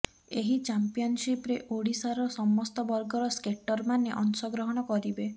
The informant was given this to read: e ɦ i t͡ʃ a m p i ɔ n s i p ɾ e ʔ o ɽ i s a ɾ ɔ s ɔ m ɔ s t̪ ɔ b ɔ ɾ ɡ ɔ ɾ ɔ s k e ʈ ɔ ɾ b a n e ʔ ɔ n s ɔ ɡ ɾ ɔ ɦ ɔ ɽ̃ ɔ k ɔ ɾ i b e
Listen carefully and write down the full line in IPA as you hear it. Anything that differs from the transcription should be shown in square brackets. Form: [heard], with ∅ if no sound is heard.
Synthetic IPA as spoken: e ɦ i t͡ʃ a m p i ɔ n s i p ɾ e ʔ o ɽ i s a ɾ ɔ s ɔ m ɔ s t̪ ɔ b ɔ ɾ ɡ ɔ ɾ ɔ s k e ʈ ɔ ɾ [m] a n e ʔ ɔ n s ɔ ɡ ɾ ɔ ɦ ɔ ɽ̃ ɔ k ɔ ɾ i b e